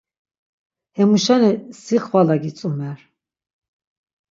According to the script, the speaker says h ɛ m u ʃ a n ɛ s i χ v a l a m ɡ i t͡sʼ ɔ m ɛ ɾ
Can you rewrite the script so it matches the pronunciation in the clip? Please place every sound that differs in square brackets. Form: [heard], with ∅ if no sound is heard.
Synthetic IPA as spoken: h ɛ m u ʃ a n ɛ s i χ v a l a [∅] ɡ i t͡sʼ [u] m ɛ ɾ